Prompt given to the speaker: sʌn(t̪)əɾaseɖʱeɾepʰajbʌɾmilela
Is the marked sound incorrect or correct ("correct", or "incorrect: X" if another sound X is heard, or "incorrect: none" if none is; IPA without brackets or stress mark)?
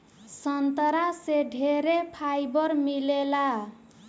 correct